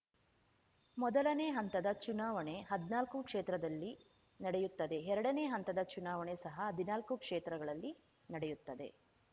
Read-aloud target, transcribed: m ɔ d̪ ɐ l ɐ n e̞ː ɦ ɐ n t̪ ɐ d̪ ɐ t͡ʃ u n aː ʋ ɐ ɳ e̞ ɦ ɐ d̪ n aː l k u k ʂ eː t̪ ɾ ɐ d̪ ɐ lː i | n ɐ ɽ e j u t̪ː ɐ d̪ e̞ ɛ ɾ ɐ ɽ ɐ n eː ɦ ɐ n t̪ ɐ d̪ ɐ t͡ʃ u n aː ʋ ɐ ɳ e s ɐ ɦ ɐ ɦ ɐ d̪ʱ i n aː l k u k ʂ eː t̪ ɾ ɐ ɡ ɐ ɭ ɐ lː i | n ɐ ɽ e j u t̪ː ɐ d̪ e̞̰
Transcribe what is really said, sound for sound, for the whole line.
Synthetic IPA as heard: m ɔ d̪ ɐ l ɐ n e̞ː ɦ ɐ n t̪ ɐ d̪ ɐ t͡ʃ u n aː ʋ ɐ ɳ e̞ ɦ ɐ d̪ n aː l k u k ʂ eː t̪ ɾ ɐ d̪ ɐ lː i | n ɐ ɽ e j u t̪ː ɐ d̪ e̞ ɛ ɾ ɐ ɽ ɐ n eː ɦ ɐ n t̪ ɐ d̪ ɐ t͡ʃ u n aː ʋ ɐ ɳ e s ɐ ɦ ɐ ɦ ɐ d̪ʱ i n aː l k u k ʂ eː t̪ ɾ ɐ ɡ ɐ ɭ ɐ lː i | n ɐ ɽ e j u t̪ː ɐ d̪ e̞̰